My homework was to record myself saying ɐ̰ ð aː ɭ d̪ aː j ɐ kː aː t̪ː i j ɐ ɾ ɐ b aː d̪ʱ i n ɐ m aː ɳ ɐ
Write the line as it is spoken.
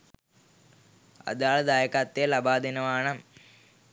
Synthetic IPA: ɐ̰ ð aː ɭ d̪ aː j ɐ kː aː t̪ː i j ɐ l ɐ b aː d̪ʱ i n ɐ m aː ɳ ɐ